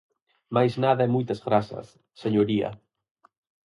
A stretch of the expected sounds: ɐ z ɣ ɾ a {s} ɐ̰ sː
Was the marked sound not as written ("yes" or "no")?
no